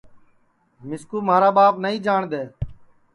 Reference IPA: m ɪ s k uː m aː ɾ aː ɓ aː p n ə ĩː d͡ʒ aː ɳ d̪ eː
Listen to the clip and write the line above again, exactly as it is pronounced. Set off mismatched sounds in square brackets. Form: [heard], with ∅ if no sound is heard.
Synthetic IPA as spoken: m ɪ s k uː m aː ɾ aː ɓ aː p n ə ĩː d͡ʒ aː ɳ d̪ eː